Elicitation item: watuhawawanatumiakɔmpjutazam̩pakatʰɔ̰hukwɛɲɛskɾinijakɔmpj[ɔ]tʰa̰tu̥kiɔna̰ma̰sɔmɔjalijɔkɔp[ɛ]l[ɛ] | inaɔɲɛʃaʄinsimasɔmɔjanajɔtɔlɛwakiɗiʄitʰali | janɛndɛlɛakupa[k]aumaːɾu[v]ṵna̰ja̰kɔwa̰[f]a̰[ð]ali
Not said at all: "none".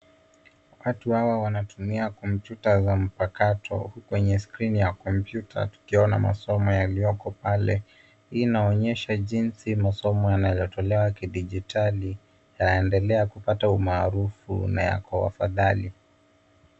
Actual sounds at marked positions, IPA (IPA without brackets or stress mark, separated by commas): u, a, ɛ, t, f, f, ð